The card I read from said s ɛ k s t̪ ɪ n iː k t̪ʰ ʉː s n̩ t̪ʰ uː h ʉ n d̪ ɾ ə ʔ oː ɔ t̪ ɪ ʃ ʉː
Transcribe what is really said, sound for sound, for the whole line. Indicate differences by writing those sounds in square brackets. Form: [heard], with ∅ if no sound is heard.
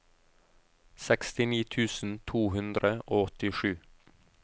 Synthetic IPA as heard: s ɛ k s t̪ ɪ n iː [∅] t̪ʰ ʉː s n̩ t̪ʰ uː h ʉ n d̪ ɾ ə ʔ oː ɔ t̪ ɪ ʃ ʉː

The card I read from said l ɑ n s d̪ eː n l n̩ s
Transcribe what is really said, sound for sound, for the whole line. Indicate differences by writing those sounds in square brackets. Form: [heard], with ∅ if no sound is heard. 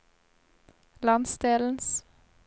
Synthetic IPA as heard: l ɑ n s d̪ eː [∅] l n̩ s

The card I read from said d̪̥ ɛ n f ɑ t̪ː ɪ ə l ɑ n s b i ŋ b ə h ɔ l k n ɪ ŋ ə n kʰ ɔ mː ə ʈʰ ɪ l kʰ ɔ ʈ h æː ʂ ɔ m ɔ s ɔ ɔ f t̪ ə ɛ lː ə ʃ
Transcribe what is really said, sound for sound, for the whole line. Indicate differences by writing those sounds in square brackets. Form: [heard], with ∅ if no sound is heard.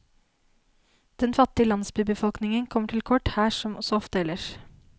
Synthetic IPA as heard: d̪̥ ɛ n f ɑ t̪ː ɪ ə l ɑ n s b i [∅] b ə [f] ɔ l k n ɪ ŋ ə n kʰ ɔ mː ə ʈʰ ɪ l kʰ ɔ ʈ h æː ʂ ɔ m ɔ s ɔ ɔ f t̪ ə ɛ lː ə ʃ

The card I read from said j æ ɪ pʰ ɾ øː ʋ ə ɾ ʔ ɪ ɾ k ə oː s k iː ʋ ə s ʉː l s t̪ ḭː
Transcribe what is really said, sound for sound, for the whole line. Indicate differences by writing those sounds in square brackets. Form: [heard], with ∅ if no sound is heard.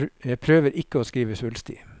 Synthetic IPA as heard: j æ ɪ pʰ ɾ øː ʋ ə ɾ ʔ ɪ [∅] k ə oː s k iː ʋ ə s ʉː l s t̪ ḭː

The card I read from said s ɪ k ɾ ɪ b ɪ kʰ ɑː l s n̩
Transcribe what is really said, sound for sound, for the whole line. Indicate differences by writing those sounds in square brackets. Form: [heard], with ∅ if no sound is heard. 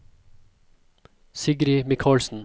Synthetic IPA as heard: s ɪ [ɡ] ɾ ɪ [m] ɪ kʰ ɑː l s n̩

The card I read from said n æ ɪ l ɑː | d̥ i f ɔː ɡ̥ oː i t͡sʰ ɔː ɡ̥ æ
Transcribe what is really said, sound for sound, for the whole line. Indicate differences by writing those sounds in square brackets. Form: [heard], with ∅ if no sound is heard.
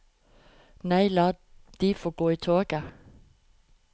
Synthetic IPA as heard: n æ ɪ l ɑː | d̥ i f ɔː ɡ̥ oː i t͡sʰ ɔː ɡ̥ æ

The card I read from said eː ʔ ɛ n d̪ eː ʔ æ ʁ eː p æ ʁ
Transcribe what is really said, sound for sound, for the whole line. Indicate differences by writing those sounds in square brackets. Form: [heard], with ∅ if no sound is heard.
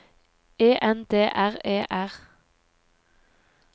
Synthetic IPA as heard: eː ʔ ɛ n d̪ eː ʔ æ ʁ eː [ʔ] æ ʁ

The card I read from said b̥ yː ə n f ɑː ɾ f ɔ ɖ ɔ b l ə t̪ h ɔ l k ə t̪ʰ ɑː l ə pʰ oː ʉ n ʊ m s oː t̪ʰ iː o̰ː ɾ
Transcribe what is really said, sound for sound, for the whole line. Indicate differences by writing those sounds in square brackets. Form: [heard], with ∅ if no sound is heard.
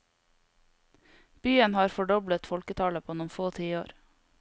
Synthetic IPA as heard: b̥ yː ə n [h] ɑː ɾ f ɔ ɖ ɔ b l ə t̪ [f] ɔ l k ə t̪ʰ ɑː l ə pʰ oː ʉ n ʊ m [f] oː t̪ʰ iː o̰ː ɾ

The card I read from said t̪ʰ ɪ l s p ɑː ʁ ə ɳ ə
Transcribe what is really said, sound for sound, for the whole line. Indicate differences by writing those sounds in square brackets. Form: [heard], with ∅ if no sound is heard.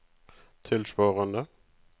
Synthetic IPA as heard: t̪ʰ ɪ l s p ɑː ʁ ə [n] ə

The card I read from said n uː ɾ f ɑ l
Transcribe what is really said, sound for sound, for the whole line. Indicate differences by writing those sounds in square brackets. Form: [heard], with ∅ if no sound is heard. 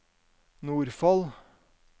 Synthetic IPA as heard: n uː ɾ f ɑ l

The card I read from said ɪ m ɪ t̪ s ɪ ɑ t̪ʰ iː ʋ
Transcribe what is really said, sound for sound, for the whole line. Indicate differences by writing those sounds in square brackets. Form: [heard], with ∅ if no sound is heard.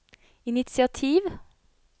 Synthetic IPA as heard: ɪ [n] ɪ t̪ s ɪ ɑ t̪ʰ iː ʋ

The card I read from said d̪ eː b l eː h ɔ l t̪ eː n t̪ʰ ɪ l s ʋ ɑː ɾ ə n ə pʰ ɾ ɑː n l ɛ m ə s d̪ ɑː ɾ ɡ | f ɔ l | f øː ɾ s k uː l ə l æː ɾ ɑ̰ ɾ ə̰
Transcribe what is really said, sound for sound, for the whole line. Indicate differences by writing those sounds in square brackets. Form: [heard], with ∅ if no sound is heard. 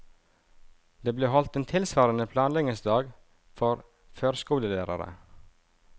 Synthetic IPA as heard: d̪ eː b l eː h ɔ l t̪ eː n t̪ʰ ɪ l s ʋ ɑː ɾ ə n ə pʰ [l] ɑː n l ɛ [ŋ] ə s d̪ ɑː [∅] ɡ | f ɔ [ɾ] | f øː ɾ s k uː l ə l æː ɾ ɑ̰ ɾ ə̰

